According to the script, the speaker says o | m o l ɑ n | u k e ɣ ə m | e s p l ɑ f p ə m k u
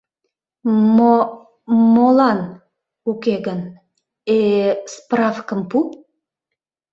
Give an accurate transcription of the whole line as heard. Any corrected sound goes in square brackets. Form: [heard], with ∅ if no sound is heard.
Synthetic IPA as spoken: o | m o l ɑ n | u k e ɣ ə [n] | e s p [r] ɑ f [k] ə m [p] u